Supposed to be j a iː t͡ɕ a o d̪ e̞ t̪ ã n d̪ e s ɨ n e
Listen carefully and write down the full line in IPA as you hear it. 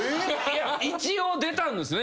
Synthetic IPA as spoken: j a i t͡ɕ i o d̪ e̞ t̪ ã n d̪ e s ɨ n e